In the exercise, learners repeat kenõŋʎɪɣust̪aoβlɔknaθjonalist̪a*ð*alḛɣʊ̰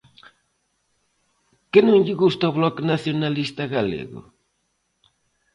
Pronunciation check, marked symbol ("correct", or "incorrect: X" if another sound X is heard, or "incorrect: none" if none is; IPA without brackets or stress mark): incorrect: ɣ